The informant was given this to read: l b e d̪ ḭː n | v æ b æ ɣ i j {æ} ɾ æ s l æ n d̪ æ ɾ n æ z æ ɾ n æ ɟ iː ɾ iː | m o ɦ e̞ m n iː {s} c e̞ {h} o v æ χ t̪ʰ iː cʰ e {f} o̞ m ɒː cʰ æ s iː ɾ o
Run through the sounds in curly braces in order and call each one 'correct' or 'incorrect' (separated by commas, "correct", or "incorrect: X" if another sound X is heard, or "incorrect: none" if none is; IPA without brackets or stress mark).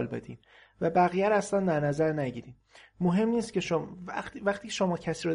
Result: correct, correct, incorrect: ʃ, incorrect: ʃ